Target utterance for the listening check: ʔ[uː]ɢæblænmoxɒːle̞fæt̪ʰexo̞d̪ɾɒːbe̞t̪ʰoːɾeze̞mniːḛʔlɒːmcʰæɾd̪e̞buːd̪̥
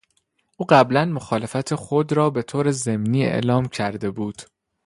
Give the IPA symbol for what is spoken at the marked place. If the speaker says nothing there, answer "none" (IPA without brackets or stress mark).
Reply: uː